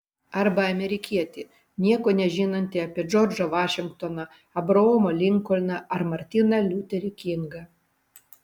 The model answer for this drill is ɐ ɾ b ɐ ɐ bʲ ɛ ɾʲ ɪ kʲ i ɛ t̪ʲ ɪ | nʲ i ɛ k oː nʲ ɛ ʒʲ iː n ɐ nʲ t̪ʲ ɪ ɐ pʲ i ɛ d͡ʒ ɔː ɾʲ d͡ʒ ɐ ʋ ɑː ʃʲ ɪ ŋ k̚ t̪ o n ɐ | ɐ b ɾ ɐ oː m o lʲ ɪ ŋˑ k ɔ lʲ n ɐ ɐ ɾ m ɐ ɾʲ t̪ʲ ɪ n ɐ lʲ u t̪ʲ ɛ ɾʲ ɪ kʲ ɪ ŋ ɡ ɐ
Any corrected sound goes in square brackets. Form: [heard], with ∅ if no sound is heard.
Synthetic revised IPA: ɐ ɾ b ɐ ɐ [mʲ] ɛ ɾʲ ɪ kʲ i ɛ t̪ʲ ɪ | nʲ i ɛ k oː nʲ ɛ ʒʲ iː n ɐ nʲ t̪ʲ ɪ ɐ pʲ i ɛ d͡ʒ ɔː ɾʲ d͡ʒ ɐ ʋ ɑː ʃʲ ɪ ŋ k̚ t̪ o n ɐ | ɐ b ɾ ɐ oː m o lʲ ɪ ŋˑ k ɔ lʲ n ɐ ɐ ɾ m ɐ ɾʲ t̪ʲ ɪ n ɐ lʲ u t̪ʲ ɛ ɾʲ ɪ kʲ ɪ ŋ ɡ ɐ